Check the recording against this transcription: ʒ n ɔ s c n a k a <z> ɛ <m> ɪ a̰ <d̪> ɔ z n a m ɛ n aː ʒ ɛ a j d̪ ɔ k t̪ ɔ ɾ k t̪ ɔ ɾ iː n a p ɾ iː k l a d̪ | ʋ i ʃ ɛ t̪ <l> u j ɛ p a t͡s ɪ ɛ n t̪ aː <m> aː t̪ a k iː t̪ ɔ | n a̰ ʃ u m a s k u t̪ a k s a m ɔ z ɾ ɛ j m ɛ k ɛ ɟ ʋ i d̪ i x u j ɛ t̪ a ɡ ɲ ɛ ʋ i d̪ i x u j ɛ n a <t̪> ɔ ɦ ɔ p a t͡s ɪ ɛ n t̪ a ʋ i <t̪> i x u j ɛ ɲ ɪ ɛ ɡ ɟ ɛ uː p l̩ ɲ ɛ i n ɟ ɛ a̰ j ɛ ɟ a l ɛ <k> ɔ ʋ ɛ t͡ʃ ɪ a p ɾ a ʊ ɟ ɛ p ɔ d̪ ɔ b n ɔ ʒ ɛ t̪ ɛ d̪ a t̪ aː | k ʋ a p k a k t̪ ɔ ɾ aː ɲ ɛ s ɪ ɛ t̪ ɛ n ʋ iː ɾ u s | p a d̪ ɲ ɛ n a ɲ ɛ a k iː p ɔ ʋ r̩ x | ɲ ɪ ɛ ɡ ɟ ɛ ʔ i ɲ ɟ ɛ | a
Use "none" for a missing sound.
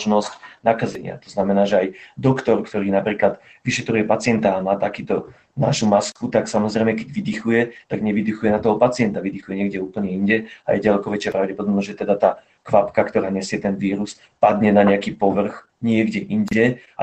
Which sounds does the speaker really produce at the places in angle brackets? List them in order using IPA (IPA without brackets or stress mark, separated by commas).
z, ɲ, t̪, ɾ, m, t̪, d̪, k